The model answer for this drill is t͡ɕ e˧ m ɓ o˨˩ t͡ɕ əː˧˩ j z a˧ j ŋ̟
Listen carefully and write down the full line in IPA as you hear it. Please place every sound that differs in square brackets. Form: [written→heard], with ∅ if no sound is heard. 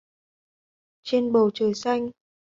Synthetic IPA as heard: t͡ɕ e˧ [m→n] ɓ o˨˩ t͡ɕ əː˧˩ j [z→s] a˧ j ŋ̟

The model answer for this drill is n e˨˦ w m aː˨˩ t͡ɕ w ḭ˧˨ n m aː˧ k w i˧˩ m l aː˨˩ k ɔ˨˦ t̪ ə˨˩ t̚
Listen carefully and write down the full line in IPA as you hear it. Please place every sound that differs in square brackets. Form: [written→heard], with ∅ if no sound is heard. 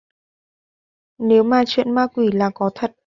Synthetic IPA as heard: n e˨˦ w m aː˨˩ t͡ɕ w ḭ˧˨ n m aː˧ k w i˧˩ [m→∅] l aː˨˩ k ɔ˨˦ [t̪→t̪ʰ] ə˨˩ t̚

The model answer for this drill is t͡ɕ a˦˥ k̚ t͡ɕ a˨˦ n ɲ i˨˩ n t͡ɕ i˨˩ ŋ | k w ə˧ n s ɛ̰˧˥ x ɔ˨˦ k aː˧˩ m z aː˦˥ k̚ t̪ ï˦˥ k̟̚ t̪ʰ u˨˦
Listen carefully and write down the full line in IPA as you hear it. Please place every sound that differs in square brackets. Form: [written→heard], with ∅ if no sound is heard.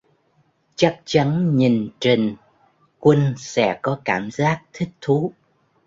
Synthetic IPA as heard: t͡ɕ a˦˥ k̚ t͡ɕ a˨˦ n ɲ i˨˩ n t͡ɕ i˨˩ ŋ | k w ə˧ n s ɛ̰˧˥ [x→k] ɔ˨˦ k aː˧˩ m z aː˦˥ k̚ [t̪→t̪ʰ] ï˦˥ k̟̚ t̪ʰ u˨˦

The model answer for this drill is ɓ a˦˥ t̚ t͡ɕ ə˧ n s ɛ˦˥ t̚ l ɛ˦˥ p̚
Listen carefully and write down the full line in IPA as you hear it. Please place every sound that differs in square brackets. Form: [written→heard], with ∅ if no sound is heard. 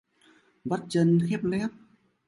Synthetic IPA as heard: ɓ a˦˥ t̚ t͡ɕ ə˧ n [s→x] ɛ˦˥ [t̚→p̚] l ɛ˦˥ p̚

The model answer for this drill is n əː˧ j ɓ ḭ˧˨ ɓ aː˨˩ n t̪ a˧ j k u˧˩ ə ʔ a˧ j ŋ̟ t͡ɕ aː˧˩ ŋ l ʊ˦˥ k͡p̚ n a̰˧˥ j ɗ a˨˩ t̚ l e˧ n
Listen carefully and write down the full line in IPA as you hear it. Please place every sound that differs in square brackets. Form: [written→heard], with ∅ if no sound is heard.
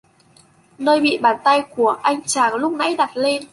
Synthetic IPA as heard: n əː˧ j ɓ ḭ˧˨ ɓ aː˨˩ n t̪ a˧ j k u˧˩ ə ʔ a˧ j ŋ̟ t͡ɕ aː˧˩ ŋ l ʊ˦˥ k͡p̚ n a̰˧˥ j ɗ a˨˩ t̚ l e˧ n

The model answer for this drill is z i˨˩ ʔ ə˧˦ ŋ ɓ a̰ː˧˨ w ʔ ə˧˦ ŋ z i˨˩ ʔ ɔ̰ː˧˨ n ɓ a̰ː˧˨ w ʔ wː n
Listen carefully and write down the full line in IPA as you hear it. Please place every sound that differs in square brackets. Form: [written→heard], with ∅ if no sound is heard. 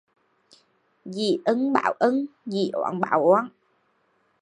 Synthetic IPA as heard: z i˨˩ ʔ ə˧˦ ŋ ɓ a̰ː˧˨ w ʔ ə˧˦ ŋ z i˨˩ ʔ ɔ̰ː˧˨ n ɓ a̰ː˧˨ w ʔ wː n

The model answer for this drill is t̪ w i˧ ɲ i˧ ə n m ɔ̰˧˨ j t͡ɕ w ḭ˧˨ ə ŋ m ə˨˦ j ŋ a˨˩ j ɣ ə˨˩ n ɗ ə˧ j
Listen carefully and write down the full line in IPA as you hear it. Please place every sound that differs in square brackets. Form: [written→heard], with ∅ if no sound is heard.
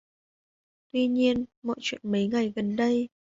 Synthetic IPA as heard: t̪ w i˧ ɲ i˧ ə n m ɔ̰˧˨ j t͡ɕ w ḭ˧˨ ə [ŋ→n] m ə˨˦ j ŋ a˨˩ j ɣ ə˨˩ n ɗ ə˧ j

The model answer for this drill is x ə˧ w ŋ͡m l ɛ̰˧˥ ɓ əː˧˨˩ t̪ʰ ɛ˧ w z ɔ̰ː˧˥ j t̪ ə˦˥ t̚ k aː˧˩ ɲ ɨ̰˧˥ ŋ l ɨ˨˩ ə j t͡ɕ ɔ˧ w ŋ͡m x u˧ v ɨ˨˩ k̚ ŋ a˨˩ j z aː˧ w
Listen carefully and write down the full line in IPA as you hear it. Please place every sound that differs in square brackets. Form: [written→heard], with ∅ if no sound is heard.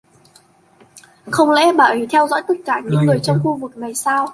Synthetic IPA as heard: x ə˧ w ŋ͡m l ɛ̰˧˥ ɓ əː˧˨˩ t̪ʰ ɛ˧ w z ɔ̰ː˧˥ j t̪ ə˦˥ t̚ k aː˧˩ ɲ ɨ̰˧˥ ŋ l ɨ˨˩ ə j t͡ɕ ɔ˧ w ŋ͡m x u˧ v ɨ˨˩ k̚ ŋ a˨˩ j [z→s] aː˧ w

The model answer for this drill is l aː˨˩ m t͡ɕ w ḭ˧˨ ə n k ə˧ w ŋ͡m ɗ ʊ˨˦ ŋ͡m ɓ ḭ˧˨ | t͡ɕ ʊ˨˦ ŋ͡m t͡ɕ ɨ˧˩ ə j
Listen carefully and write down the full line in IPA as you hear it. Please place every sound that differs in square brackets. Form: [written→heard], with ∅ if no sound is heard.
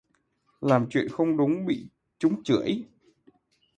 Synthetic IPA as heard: l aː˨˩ m t͡ɕ w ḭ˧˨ ə n [k→x] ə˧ w ŋ͡m ɗ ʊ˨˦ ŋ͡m ɓ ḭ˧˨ | t͡ɕ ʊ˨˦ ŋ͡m t͡ɕ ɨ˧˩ ə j

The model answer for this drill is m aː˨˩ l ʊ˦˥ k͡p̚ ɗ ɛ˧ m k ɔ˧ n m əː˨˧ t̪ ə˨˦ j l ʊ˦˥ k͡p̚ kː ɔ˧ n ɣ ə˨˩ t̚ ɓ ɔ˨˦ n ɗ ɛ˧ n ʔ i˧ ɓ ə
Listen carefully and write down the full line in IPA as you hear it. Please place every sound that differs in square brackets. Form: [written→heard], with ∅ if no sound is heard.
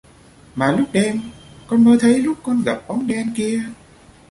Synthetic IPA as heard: m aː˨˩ l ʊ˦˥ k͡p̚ ɗ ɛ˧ m k ɔ˧ n m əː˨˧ [t̪→t̪ʰ] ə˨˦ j l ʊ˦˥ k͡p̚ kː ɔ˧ n ɣ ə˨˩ [t̚→p̚] ɓ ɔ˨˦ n ɗ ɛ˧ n [ʔ→k] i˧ [ɓ→∅] ə

